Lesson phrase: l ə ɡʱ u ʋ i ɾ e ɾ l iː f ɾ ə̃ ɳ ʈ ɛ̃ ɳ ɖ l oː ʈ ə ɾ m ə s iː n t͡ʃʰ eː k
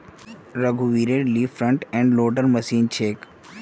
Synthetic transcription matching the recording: ɾ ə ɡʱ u ʋ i ɾ e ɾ l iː f ɾ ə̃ ɳ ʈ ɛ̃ ɳ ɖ l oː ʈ ə ɾ m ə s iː n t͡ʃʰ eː k